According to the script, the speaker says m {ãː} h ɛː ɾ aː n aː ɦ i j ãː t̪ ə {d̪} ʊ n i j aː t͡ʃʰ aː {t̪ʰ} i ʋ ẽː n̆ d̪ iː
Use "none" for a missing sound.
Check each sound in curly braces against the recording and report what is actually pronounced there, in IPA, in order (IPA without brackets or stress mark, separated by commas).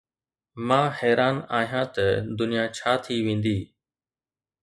ãː, d̪, t̪ʰ